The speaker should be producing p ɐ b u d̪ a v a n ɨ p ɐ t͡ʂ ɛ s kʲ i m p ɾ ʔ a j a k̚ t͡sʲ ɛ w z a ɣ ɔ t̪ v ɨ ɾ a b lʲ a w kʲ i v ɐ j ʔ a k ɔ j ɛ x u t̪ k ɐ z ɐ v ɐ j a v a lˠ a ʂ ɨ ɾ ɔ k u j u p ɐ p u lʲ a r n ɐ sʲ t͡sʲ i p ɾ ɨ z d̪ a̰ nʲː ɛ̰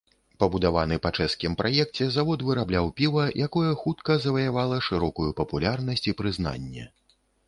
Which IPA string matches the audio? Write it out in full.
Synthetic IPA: p ɐ b u d̪ a v a n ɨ p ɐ t͡ʂ ɛ s kʲ i m p ɾ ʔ a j ɛ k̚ t͡sʲ ɛ z a v ɔ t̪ v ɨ ɾ a b lʲ a w pʲ i v ɐ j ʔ a k ɔ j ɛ x u t̪ k ɐ z ɐ v ɐ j a v a lˠ ɐ ʂ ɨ ɾ ɔ k u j u p ɐ p u lʲ a r n ɐ sʲ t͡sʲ i p ɾ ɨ z n̪ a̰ nʲː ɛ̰